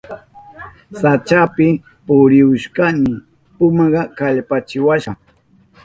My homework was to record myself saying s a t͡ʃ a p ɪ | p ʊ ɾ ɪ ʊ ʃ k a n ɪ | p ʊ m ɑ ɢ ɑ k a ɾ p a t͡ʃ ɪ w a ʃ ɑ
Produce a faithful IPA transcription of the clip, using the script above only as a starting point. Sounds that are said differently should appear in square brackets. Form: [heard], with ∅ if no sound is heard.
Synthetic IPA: s a t͡ʃ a p ɪ | p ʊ ɾ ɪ ʊ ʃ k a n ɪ | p ʊ m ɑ ɢ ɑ k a [ʎ] p a t͡ʃ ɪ w a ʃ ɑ

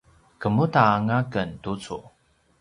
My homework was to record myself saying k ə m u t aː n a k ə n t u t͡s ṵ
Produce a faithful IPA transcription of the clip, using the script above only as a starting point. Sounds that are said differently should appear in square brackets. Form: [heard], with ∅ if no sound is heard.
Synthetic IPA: k ə m u t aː [ŋ] a k ə n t u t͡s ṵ

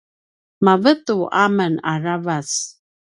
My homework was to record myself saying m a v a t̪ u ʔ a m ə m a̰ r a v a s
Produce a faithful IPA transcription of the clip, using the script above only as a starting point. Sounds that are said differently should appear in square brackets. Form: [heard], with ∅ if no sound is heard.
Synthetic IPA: m a v [ə] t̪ u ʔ a m ə [n] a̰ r a v a s

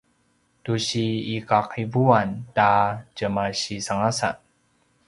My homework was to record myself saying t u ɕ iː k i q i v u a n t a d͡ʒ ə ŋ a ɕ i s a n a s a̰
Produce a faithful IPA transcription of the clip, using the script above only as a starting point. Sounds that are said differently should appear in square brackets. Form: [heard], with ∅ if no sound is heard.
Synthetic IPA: t u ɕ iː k [a] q i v u a n t a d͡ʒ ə [m] a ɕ i s a [ŋ] a s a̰

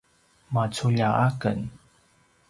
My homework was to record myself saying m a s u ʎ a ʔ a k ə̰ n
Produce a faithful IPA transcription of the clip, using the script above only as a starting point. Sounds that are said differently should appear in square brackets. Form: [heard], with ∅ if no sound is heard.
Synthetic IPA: m a [t͡s] u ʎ a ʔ a k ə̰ n

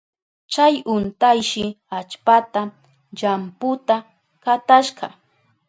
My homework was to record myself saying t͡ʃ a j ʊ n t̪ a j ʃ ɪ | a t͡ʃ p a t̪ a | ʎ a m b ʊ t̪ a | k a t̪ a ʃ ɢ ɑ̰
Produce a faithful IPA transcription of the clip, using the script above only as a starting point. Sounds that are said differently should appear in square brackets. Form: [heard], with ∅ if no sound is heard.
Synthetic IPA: t͡ʃ a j ʊ n t̪ a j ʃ ɪ | a t͡ʃ p a t̪ a | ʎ a m [p] ʊ t̪ a | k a t̪ a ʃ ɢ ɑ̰

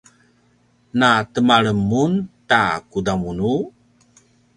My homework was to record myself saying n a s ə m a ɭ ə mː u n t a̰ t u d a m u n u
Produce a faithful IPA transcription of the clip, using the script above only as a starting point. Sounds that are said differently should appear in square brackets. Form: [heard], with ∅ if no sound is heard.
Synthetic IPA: n a [t] ə m a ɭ ə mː u n t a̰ [k] u d a m u n u

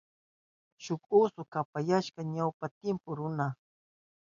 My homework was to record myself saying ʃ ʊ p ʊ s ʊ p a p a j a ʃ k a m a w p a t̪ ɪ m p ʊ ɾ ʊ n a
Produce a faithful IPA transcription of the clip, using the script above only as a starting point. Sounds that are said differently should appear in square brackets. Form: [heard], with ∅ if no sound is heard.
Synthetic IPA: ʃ ʊ [k] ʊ s ʊ [k] a p a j a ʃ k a [ɲ] a w p a t̪ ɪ m p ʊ ɾ ʊ n a

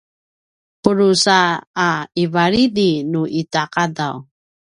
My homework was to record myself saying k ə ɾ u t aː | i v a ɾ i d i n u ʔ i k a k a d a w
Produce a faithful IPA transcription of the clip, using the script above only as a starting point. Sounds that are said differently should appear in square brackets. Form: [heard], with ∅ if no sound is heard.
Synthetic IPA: [p] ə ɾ u [s] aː | i v a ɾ i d i n u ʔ i [t] a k a d a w

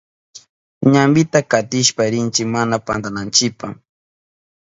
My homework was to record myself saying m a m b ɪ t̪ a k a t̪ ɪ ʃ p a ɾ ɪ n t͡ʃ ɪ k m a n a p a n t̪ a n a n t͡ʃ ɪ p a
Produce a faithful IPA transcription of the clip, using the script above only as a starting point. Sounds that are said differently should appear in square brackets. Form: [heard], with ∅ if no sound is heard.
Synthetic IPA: [ɲ] a m b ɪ t̪ a k a t̪ ɪ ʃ p a ɾ ɪ n t͡ʃ ɪ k m a n a p a n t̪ a n a n t͡ʃ ɪ p a

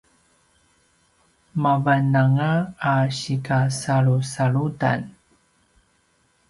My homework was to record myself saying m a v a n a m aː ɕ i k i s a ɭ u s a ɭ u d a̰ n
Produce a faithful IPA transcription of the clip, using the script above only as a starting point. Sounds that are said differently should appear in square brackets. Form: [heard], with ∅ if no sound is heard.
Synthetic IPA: m a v a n a [ŋ] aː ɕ i k [a] s a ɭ u s a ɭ u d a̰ n

